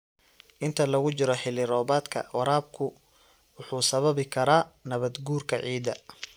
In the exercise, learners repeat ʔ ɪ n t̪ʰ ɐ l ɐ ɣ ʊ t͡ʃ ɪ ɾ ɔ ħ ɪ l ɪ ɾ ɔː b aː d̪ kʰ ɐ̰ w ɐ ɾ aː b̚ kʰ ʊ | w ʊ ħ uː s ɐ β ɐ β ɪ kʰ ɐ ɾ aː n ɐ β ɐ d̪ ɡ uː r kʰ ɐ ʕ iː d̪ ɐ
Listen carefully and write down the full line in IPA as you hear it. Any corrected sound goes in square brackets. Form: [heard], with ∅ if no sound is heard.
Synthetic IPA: ʔ ɪ n t̪ʰ ɐ l ɐ ɣ ʊ t͡ʃ ɪ ɾ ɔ ħ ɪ l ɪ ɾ ɔː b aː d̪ kʰ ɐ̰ w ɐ ɾ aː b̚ kʰ ʊ | w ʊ ħ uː s ɐ β ɐ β ɪ kʰ ɐ ɾ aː n ɐ β ɐ d̪ ɡ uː r kʰ ɐ ʕ iː d̪ ɐ